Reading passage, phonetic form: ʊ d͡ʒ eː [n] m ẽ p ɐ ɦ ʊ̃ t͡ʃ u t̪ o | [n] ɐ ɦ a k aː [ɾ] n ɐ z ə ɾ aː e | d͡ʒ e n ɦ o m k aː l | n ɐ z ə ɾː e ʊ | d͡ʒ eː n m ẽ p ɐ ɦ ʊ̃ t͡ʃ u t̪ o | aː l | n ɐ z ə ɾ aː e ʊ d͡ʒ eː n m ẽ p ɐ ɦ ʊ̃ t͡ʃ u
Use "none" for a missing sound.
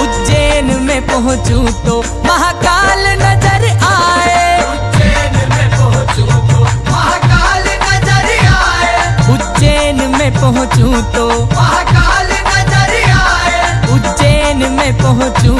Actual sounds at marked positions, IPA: n, m, l

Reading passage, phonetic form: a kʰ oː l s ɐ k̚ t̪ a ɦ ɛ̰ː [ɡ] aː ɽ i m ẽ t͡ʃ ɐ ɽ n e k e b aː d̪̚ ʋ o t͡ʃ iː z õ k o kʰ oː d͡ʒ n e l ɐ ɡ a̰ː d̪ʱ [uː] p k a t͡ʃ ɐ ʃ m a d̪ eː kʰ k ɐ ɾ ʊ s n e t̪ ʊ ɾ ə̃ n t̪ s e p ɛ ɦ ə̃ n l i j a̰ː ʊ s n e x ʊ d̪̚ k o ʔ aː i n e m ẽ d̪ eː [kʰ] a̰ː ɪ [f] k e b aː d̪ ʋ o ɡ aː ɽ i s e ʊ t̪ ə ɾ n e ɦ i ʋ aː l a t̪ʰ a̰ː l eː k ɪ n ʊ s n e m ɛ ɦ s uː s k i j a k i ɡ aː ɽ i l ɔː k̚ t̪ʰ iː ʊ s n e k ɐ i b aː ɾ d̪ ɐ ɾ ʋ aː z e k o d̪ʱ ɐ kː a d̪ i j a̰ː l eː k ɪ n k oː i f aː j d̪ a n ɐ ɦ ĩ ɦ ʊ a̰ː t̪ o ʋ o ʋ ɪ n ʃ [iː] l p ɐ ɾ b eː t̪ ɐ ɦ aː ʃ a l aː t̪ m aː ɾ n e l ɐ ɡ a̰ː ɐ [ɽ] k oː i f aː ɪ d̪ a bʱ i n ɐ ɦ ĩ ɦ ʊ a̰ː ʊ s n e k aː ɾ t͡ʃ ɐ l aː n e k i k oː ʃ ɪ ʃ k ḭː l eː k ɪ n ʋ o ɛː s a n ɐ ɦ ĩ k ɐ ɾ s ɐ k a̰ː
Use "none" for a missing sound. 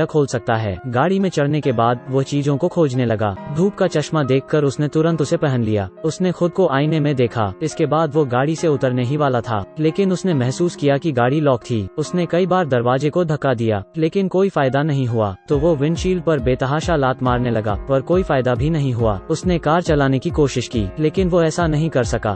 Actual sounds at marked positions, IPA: ɡ, uː, kʰ, s, iː, ɾ

